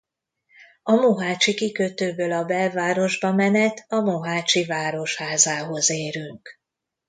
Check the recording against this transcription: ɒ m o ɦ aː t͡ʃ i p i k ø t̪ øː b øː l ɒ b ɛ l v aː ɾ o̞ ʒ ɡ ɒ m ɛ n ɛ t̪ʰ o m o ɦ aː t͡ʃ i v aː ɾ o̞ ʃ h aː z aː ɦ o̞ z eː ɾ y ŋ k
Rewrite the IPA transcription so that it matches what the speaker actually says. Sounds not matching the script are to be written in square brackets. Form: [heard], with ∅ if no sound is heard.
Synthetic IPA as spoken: ɒ m o ɦ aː t͡ʃ i [k] i k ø t̪ øː b øː l ɒ b ɛ l v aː ɾ o̞ ʒ [b] ɒ m ɛ n ɛ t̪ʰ [ɒ] m o ɦ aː t͡ʃ i v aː ɾ o̞ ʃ h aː z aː ɦ o̞ z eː ɾ y ŋ k